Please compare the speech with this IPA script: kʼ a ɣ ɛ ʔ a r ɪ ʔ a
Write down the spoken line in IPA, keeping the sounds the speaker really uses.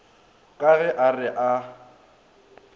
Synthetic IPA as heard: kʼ a ɣ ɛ ʔ a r ɪ ʔ a